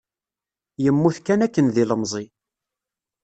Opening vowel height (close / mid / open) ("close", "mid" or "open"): mid